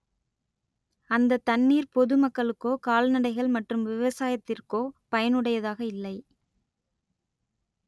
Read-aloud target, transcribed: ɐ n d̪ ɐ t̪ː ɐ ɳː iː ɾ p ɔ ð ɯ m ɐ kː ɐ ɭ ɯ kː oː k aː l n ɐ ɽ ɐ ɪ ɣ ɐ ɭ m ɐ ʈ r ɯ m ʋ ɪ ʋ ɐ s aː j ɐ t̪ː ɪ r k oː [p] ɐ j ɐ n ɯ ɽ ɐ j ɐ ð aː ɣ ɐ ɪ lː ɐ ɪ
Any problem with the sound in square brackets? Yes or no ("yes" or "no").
no